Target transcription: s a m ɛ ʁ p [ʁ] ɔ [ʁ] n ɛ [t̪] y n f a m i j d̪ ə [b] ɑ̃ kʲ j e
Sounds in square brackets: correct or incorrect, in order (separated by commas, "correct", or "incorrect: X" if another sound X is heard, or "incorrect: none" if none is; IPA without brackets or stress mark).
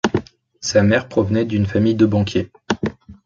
incorrect: χ, incorrect: v, incorrect: d̪, correct